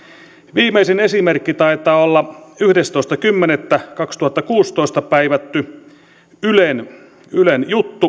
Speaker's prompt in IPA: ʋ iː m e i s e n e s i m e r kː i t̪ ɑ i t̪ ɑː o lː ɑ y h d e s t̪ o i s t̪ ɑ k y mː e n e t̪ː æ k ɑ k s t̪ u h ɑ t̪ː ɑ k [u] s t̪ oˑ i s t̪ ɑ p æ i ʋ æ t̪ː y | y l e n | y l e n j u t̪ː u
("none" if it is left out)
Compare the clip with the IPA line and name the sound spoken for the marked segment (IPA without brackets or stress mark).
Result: uː